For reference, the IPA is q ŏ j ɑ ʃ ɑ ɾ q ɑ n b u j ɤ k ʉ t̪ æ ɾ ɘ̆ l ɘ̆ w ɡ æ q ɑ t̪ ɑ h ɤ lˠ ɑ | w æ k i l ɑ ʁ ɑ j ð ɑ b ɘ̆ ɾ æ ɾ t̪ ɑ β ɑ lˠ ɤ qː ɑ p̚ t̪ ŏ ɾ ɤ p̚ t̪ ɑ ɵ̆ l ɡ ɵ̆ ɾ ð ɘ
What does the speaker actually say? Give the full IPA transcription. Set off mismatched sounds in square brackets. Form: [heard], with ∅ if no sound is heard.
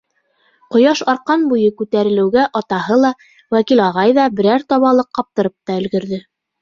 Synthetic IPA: q ŏ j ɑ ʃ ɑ ɾ q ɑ n b u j ɤ k ʉ t̪ æ ɾ ɘ̆ l ɘ̆ w ɡ æ [ʔ] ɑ t̪ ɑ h ɤ lˠ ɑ | w æ k i l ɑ ʁ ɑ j ð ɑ b ɘ̆ ɾ æ ɾ t̪ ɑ β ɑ lˠ ɤ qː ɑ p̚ t̪ [ɤ̆] ɾ ɤ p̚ t̪ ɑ ɵ̆ l ɡ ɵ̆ ɾ ð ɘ